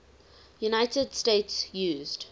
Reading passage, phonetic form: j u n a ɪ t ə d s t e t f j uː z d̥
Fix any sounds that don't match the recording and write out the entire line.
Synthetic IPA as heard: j u n a ɪ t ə d s t e t s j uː z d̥

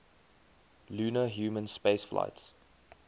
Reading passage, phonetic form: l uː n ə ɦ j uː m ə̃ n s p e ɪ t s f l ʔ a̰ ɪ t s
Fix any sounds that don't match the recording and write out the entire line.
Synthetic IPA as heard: l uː n ə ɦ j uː m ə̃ n s p e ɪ s f l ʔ a̰ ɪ t s

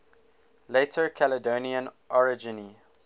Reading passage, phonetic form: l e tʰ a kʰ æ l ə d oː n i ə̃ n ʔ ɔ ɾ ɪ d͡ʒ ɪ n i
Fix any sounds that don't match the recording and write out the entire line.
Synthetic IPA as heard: l e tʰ ə kʰ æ l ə d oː n i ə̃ n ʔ ɔ ɹ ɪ d͡ʒ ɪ n i

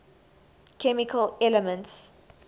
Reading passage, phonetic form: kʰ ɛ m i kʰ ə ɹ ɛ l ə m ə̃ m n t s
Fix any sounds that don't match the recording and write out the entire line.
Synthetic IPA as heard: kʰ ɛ m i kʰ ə l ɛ l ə m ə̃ n t s

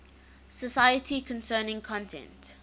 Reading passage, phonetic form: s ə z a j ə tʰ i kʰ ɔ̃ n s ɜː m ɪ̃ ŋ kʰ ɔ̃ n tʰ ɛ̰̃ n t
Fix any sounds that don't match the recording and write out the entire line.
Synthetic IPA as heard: s ə s a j ə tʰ i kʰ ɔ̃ n s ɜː n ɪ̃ ŋ kʰ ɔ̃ n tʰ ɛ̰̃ n t

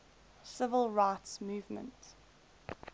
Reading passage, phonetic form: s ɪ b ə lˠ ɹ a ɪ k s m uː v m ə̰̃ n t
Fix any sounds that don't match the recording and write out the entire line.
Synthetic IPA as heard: s ɪ v ə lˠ ɹ a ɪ t s m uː v m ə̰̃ n t

